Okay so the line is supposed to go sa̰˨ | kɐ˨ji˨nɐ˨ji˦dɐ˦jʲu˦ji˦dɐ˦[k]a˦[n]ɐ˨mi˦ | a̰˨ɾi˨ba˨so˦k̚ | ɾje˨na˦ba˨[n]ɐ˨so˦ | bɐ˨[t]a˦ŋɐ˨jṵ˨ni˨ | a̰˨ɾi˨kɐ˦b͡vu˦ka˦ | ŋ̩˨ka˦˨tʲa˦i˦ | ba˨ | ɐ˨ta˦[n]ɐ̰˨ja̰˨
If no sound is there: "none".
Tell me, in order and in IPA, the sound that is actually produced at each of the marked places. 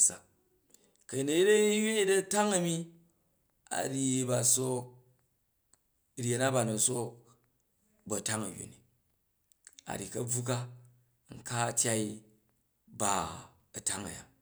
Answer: t, ŋ, n, t, ŋ

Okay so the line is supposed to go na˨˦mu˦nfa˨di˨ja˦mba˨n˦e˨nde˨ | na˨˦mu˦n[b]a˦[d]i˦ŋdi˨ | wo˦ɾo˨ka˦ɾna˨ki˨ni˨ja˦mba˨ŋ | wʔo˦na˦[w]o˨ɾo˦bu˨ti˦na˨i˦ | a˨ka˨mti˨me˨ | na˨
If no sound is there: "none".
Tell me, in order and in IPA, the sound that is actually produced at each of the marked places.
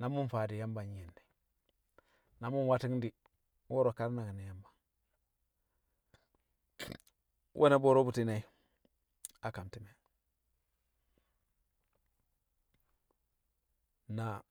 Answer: w, t, b

